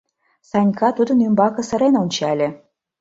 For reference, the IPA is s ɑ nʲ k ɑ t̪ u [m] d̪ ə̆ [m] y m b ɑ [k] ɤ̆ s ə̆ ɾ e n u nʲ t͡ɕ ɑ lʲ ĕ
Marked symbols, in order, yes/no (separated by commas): no, no, yes